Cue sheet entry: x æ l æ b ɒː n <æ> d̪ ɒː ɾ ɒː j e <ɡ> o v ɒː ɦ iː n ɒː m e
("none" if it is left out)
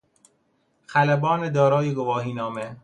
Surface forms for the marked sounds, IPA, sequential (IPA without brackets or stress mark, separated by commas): e, ɡ